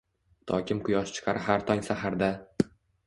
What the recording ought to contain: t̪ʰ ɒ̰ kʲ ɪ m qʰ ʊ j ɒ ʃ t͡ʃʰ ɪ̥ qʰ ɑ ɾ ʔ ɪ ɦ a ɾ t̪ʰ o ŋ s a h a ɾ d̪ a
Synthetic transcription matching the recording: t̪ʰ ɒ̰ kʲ ɪ m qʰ ʊ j ɒ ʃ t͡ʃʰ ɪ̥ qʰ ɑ ɾ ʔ ɪ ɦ a ɾ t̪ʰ ɒ ŋ s a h a ɾ d̪ a